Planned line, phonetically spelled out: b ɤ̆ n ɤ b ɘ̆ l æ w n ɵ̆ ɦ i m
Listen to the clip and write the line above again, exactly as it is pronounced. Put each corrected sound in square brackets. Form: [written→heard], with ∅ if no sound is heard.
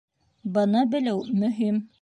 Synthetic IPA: b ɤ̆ n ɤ b ɘ̆ l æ w [n→m] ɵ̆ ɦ i m